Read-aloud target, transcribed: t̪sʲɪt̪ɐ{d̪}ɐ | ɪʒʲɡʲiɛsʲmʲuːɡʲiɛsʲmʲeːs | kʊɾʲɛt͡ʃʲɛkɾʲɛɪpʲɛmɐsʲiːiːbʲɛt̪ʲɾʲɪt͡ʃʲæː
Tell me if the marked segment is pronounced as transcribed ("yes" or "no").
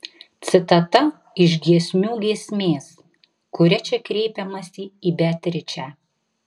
no